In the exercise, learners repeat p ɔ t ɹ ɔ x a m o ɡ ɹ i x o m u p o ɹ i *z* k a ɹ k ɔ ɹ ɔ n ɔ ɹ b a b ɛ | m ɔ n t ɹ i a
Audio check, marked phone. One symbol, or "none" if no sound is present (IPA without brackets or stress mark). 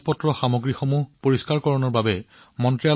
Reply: s